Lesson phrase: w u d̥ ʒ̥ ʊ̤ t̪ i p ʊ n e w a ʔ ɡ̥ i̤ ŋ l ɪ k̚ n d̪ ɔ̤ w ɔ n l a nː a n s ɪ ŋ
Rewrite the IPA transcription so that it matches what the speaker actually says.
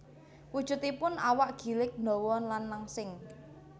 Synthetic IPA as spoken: w u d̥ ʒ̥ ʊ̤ t̪ i p ʊ n a w a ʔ ɡ̥ i̤ l ɪ k̚ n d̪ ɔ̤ w ɔ n l a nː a ŋ s ɪ ŋ